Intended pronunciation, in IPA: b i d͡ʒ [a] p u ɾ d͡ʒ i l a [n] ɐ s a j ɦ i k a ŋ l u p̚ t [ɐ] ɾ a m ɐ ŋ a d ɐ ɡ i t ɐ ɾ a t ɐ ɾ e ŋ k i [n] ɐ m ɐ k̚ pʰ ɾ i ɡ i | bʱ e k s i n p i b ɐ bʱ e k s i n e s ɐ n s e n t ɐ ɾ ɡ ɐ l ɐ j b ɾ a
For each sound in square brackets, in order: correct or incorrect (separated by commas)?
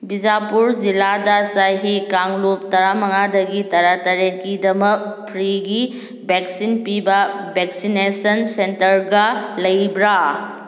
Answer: correct, incorrect, correct, incorrect